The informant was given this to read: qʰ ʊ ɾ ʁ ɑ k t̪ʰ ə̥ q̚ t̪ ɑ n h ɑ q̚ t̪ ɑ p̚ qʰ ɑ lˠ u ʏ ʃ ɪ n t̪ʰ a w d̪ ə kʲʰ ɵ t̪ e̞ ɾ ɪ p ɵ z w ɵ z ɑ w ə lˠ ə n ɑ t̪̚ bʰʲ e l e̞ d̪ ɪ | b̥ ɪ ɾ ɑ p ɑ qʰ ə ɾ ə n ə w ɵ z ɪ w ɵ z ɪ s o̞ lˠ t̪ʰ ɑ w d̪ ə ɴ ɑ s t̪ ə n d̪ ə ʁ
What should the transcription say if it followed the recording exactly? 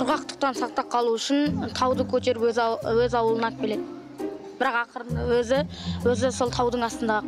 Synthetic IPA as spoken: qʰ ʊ ɾ ʁ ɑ q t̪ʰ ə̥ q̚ t̪ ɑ n s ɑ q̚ t̪ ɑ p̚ qʰ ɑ lˠ u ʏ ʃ ɪ n t̪ʰ ɑ w d̪ ə kʲʰ ɵ t̪ e̞ ɾ ɪ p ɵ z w ɵ z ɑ w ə lˠ ə n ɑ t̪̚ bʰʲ e l e̞ d̪ ɪ | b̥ ɪ ɾ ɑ q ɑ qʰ ə ɾ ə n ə w ɵ z ɪ w ɵ z ɪ s o̞ lˠ t̪ʰ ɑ w d̪ ə ɴ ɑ s t̪ ə n d̪ ɑ ʁ